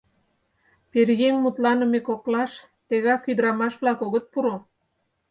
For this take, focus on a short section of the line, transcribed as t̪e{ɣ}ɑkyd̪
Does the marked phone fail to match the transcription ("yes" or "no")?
no